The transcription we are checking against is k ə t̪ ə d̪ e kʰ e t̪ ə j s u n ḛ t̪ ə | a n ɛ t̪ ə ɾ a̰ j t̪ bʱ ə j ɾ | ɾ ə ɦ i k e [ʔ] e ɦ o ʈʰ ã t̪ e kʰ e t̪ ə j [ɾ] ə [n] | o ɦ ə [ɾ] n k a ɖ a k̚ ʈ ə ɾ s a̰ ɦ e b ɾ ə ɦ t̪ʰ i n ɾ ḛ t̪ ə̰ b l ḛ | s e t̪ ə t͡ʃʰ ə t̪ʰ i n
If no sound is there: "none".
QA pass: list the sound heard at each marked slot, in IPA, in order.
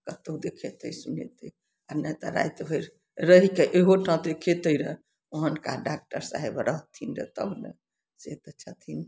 ʔ, ɾ, none, none

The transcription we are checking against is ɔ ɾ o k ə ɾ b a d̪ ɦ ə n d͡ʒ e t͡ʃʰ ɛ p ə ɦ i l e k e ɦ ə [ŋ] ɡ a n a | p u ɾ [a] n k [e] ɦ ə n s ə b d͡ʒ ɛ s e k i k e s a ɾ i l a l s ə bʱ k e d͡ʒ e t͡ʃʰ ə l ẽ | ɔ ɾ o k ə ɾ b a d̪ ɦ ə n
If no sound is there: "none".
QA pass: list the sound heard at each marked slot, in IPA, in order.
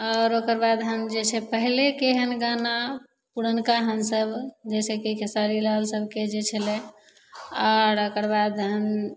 n, ə, a

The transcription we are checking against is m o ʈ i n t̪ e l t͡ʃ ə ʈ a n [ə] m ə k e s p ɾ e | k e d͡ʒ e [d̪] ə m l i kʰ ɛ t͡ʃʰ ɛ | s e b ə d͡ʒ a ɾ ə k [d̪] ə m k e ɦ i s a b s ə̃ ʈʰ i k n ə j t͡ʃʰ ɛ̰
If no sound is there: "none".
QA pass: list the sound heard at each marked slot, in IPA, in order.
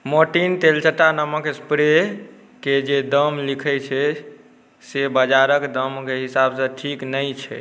ə, d̪, d̪

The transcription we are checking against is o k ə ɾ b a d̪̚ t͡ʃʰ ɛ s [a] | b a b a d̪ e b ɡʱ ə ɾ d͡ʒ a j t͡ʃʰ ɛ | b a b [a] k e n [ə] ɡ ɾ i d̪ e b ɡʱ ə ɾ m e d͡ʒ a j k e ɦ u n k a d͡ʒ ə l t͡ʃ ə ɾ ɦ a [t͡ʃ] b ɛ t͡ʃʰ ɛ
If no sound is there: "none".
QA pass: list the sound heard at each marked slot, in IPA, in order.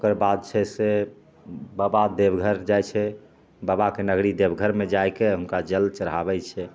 e, a, ə, none

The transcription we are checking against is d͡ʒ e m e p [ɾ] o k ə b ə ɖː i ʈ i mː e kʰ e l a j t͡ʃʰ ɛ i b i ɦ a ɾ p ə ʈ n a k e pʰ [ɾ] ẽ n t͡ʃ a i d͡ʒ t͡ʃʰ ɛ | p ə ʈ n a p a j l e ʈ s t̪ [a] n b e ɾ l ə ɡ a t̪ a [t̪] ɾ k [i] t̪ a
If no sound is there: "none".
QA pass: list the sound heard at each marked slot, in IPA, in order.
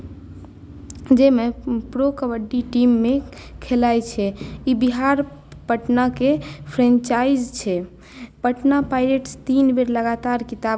ɾ, ɾ, i, none, i

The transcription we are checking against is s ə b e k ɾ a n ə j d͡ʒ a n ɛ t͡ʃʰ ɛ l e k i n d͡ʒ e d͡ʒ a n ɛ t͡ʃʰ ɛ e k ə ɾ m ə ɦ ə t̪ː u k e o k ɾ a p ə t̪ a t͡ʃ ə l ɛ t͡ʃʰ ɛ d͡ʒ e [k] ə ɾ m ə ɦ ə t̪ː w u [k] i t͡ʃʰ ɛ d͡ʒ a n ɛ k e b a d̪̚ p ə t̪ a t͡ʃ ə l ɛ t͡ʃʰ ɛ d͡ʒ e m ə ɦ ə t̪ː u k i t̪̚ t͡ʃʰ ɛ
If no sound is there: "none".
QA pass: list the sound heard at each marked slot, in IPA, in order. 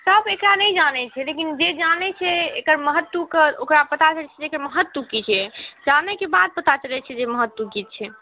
k, k

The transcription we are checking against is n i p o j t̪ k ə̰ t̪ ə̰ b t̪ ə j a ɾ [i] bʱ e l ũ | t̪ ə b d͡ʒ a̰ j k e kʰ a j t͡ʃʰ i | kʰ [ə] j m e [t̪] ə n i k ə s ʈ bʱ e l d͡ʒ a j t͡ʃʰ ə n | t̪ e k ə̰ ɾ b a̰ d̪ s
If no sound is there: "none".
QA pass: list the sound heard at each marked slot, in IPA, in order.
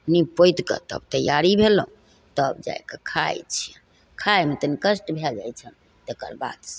i, a, t̪

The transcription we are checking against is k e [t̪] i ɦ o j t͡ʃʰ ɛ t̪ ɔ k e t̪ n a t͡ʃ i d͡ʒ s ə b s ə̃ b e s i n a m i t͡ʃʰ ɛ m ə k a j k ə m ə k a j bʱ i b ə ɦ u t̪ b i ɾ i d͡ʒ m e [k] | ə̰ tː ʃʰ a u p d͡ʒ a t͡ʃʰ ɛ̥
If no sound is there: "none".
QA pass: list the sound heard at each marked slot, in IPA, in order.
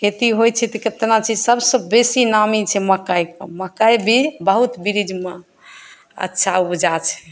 t̪, none

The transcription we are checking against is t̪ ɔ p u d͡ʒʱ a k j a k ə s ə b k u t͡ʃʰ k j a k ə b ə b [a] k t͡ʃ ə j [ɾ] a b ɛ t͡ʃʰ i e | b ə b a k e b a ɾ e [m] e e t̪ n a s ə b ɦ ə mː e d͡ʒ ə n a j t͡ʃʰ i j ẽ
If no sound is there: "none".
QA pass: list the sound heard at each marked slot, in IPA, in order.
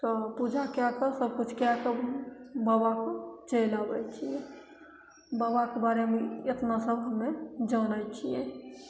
a, l, m

